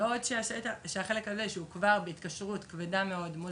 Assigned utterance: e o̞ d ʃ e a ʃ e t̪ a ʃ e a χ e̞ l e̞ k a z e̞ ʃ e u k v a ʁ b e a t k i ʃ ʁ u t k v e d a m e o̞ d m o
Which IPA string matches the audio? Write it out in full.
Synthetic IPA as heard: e o̞ d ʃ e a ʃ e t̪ a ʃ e a χ e̞ l e̞ k a z e̞ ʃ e u k v a ʁ b e i t k a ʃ ʁ u t k v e d a m e o̞ d m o